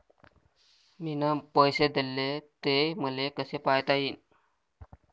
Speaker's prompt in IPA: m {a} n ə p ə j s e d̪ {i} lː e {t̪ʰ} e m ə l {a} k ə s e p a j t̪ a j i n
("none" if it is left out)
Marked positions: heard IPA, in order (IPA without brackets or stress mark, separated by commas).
i, e, t̪, e